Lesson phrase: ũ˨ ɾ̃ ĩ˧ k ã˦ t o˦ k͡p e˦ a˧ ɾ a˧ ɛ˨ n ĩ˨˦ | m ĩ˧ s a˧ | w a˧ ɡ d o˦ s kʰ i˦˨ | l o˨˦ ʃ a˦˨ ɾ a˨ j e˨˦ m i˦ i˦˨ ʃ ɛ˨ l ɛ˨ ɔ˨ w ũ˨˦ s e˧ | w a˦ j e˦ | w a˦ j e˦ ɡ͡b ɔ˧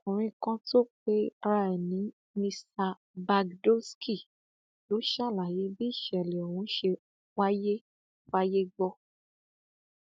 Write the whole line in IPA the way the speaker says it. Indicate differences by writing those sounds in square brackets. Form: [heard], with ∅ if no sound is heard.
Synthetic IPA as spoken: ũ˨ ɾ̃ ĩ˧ k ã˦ t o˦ k͡p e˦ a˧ ɾ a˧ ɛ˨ n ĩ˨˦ | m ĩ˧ s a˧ | [b] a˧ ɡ d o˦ s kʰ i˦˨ | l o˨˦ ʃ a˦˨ [l] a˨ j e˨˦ [b] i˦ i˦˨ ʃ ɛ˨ l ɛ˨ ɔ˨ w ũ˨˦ [ʃ] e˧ | w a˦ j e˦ | w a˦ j e˦ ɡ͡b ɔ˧

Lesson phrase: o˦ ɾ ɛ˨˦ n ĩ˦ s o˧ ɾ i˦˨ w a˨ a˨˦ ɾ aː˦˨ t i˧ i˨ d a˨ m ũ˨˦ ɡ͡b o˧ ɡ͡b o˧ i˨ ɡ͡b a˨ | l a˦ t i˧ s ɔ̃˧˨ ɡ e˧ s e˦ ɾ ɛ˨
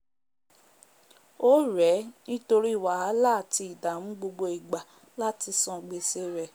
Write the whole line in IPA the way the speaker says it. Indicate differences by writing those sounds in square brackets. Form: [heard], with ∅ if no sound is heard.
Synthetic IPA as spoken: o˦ ɾ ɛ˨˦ n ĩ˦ [t] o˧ ɾ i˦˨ w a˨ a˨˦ [l] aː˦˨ t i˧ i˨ d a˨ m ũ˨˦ ɡ͡b o˧ ɡ͡b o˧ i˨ ɡ͡b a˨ | l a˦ t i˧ s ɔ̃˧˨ [ɡ͡b] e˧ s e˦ ɾ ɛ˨

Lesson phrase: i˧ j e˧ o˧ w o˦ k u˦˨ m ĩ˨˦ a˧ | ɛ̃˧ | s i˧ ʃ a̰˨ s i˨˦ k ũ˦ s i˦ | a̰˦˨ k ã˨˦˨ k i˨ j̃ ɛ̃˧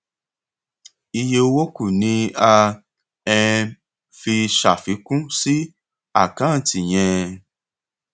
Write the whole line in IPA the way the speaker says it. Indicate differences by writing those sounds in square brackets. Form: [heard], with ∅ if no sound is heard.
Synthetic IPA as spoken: i˧ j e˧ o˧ w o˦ k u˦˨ [n] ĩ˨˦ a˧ | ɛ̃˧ | [f] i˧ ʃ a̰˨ [f] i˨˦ k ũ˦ s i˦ | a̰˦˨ k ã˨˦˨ [t] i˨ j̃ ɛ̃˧

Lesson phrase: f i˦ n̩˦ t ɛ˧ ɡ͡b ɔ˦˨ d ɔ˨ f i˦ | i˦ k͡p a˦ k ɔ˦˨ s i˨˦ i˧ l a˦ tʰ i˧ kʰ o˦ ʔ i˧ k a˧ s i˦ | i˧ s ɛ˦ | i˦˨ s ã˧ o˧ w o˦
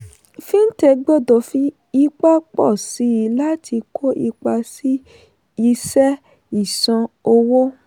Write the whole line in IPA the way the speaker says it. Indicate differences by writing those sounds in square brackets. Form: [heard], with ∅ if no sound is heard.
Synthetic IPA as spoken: f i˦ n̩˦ t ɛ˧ ɡ͡b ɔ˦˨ d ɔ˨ f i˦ | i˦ k͡p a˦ [k͡p] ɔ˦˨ s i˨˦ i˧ l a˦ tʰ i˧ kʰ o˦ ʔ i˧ [k͡p] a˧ s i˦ | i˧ s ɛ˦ | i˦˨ s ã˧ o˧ w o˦

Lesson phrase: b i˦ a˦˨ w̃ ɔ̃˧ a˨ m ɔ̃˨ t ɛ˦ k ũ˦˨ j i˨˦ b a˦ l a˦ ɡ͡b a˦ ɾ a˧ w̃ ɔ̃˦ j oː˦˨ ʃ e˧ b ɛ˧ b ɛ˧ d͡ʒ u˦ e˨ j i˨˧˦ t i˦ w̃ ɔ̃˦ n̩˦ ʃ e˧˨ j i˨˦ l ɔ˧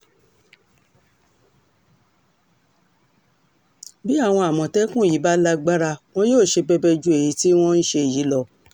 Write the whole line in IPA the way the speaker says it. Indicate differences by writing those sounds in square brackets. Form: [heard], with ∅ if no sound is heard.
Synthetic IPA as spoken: b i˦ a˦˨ w̃ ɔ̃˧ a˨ m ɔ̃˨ t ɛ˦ k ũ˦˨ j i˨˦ b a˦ l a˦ ɡ͡b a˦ ɾ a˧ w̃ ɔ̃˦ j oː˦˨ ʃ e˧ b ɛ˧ b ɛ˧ d͡ʒ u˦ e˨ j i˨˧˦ t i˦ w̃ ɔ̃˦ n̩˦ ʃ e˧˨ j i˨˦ l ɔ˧

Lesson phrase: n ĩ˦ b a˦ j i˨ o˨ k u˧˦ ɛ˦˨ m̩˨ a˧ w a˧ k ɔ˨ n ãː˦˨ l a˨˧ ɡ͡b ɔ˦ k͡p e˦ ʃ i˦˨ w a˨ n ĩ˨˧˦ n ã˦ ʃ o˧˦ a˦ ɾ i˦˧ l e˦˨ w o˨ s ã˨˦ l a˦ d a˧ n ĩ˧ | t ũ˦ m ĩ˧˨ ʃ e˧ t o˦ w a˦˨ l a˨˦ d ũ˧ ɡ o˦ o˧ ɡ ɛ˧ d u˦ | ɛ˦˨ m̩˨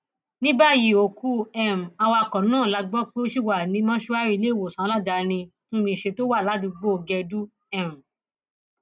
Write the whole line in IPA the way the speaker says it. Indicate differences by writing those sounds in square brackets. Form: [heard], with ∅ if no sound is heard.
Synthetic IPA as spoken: n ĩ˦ b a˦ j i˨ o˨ k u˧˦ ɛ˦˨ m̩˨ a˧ w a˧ k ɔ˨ n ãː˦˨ l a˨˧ ɡ͡b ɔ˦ k͡p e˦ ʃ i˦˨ w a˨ n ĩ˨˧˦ [m] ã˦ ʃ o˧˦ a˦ ɾ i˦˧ l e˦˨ w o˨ s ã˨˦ l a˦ d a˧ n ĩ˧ | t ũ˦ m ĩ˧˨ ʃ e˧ t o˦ w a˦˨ l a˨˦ d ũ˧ [ɡ͡b] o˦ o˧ ɡ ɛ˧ d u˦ | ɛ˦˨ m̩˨

